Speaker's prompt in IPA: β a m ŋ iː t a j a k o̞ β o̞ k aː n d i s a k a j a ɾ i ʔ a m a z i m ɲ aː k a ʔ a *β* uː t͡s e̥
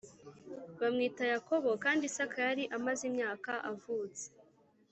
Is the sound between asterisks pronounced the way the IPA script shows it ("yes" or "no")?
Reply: no